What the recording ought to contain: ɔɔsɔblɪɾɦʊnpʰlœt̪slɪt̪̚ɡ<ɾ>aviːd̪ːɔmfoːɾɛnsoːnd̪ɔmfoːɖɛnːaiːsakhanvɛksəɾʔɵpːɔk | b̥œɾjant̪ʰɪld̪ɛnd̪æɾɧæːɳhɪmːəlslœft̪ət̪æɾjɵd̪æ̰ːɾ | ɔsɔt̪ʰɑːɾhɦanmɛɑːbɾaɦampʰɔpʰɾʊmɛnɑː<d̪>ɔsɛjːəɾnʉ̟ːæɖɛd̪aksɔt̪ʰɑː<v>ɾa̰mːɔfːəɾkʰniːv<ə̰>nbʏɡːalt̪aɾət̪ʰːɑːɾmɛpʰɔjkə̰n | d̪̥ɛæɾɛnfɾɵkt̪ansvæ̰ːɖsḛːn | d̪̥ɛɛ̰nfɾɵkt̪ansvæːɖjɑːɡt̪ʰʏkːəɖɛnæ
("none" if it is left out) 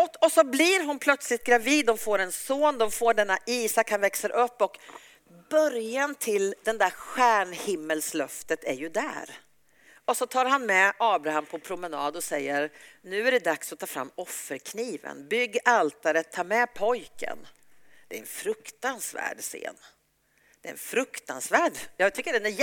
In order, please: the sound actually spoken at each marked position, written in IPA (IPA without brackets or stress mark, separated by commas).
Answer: ɾ, d̪, f, ə̰